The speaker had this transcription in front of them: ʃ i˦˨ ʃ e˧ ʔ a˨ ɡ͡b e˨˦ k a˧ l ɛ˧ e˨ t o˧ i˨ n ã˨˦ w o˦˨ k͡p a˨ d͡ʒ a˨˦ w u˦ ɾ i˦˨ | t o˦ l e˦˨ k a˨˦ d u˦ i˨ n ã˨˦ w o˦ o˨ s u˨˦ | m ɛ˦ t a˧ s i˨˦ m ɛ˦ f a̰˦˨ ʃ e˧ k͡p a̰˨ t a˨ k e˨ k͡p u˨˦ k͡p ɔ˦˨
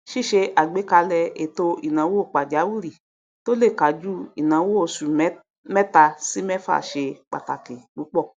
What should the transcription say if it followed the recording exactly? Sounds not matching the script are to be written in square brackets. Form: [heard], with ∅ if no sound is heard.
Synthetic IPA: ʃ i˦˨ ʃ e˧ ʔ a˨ ɡ͡b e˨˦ k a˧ l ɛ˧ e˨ t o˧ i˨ n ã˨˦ w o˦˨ k͡p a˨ d͡ʒ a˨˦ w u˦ ɾ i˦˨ | t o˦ l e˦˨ k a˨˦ [d͡ʒ] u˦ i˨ n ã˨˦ w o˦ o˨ s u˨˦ | m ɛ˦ t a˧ s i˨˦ m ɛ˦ f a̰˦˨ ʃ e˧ k͡p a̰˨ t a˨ k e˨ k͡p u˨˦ k͡p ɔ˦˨

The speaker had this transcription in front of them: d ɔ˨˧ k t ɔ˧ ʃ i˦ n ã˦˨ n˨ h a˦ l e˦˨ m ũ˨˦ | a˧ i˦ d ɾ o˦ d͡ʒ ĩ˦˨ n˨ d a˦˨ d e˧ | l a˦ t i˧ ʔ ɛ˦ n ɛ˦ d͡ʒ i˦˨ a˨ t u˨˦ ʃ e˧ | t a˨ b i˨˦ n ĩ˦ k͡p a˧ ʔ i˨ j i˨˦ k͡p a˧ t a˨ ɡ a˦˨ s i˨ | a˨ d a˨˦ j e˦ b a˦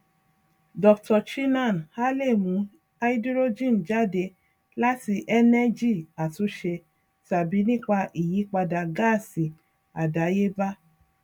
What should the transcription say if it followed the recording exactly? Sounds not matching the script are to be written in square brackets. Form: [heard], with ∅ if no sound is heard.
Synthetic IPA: d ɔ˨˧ k t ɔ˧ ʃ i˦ n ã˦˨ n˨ h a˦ l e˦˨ m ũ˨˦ | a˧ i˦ d ɾ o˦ d͡ʒ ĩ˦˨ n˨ [d͡ʒ] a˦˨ d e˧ | l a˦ t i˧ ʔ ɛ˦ n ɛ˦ d͡ʒ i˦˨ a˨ t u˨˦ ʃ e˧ | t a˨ b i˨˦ n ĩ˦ k͡p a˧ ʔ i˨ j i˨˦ k͡p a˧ [d] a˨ ɡ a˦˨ s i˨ | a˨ d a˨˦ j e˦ b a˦

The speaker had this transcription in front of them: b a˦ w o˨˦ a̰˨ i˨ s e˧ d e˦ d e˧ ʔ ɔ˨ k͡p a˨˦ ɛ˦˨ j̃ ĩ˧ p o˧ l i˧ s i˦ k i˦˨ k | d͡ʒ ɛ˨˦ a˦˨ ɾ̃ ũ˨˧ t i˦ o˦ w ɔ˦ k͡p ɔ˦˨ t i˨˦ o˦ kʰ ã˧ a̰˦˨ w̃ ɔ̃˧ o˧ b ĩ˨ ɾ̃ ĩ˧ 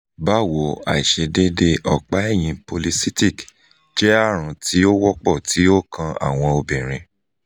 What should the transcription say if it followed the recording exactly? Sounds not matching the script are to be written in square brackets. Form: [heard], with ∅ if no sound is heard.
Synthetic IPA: b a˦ w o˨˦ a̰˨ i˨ [ʃ] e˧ d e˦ d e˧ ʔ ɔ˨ k͡p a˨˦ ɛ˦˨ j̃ ĩ˧ p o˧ l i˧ s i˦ [t] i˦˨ k | d͡ʒ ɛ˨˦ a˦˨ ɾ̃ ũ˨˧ t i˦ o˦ w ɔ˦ k͡p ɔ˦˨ t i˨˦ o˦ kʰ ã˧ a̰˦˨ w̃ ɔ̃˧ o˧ b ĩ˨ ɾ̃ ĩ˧

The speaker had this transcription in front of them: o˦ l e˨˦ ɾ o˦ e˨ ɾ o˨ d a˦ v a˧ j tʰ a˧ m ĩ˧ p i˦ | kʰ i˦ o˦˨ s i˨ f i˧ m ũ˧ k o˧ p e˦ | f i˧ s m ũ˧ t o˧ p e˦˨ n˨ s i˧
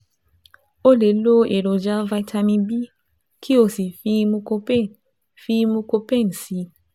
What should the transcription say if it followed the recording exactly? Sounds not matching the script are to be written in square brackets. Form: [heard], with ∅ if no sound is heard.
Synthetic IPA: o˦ l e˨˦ [l] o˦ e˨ ɾ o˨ [d͡ʒ] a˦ v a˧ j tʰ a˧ m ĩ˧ [b] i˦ | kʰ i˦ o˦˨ s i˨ f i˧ m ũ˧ k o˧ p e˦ | f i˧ [∅] m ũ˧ [k] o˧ p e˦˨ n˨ s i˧

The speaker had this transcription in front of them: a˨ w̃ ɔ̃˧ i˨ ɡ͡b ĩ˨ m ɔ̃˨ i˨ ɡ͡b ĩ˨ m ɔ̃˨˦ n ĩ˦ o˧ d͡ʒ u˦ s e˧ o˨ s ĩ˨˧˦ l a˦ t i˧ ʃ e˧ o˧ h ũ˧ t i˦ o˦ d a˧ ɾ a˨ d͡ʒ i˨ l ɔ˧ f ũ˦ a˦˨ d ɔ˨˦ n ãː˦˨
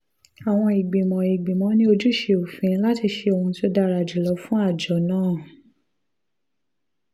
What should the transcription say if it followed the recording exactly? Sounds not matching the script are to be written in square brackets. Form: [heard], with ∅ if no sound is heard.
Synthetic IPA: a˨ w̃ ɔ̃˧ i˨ ɡ͡b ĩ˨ m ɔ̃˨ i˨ ɡ͡b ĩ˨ m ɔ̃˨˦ n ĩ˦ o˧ d͡ʒ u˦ [ʃ] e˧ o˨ [f] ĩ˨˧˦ l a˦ t i˧ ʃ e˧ o˧ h ũ˧ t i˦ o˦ d a˧ ɾ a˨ d͡ʒ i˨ l ɔ˧ f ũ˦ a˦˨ [d͡ʒ] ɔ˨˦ n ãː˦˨

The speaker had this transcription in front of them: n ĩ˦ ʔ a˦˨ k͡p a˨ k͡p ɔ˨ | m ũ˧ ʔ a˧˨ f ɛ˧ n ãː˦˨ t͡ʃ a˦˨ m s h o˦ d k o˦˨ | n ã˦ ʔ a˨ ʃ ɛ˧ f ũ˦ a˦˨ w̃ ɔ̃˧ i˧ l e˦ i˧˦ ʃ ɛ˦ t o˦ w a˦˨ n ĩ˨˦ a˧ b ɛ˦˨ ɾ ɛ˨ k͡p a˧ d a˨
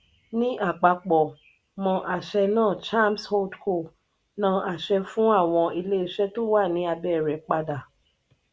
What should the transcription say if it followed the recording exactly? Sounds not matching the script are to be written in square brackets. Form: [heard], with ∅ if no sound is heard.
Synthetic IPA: n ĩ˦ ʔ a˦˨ k͡p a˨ k͡p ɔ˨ | m [ɔ̃˧] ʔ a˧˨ [ʃ] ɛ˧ n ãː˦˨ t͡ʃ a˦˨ m s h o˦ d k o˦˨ | n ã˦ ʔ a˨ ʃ ɛ˧ f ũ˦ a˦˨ w̃ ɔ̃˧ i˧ l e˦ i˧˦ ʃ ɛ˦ t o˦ w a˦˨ n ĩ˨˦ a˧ b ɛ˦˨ ɾ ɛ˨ k͡p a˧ d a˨

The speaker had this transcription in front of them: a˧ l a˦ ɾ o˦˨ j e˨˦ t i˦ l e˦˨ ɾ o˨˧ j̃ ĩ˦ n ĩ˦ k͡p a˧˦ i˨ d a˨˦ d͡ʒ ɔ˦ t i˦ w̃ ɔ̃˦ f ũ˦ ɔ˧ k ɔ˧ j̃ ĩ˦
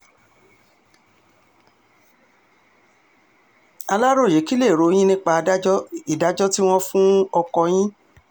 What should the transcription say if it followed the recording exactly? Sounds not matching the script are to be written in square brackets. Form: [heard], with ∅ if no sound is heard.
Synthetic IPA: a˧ l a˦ ɾ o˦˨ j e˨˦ [k] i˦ l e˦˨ ɾ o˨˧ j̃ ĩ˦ n ĩ˦ k͡p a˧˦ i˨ d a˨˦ d͡ʒ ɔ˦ t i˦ w̃ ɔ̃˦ f ũ˦ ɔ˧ k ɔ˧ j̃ ĩ˦

